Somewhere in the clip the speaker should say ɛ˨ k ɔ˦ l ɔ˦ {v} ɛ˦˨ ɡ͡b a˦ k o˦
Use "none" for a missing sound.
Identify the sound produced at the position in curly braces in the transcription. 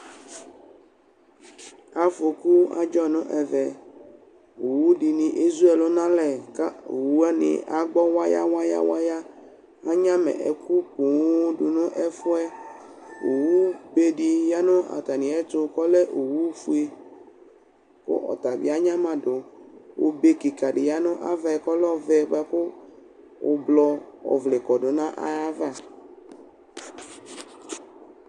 v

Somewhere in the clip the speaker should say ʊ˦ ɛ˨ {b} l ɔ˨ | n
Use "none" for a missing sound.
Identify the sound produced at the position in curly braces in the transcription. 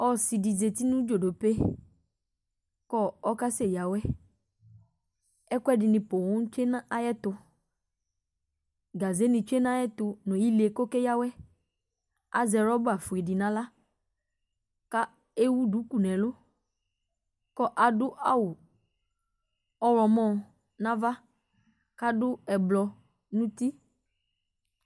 b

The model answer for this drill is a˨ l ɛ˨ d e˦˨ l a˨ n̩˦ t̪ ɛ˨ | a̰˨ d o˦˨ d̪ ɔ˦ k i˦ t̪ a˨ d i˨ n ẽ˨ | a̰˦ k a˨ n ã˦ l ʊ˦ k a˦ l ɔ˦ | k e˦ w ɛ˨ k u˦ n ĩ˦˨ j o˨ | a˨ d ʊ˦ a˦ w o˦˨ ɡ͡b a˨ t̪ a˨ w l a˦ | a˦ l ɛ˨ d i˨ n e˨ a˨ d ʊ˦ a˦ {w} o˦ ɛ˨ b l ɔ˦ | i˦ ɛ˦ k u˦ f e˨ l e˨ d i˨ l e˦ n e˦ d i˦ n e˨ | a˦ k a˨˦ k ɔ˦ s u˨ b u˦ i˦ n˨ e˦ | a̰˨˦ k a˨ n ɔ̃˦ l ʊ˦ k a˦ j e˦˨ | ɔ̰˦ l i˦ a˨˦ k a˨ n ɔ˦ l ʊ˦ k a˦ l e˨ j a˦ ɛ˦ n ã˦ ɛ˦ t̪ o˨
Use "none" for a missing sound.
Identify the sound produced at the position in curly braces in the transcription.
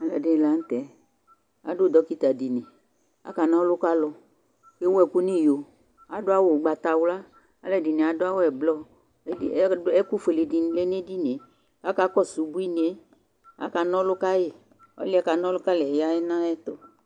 w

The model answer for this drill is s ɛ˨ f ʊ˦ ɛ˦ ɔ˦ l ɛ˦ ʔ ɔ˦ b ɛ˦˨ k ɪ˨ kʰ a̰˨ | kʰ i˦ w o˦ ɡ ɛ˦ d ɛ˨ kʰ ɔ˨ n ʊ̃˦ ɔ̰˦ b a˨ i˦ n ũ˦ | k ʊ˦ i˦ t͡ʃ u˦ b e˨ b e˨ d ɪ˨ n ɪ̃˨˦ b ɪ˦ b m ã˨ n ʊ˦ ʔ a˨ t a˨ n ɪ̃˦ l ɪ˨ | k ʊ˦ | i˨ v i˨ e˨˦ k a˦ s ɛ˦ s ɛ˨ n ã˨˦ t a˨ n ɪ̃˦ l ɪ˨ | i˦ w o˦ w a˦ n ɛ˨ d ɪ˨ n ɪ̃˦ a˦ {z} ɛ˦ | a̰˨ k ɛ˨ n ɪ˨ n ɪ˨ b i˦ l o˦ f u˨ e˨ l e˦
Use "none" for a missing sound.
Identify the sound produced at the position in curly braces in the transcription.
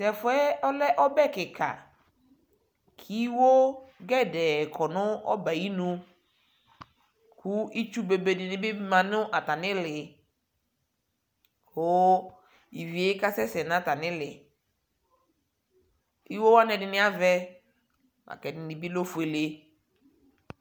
v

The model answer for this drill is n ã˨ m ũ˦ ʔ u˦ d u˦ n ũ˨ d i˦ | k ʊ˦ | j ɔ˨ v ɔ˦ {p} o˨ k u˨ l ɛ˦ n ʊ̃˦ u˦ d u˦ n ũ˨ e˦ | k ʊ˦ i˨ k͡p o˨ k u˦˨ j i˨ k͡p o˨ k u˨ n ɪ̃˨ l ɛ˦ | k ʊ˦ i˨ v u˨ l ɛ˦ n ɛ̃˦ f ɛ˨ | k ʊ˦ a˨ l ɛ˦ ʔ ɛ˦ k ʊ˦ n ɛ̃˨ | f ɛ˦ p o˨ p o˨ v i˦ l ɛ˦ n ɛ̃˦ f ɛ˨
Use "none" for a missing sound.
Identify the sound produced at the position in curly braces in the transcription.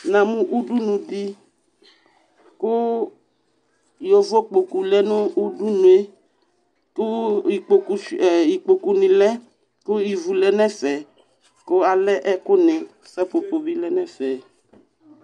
k͡p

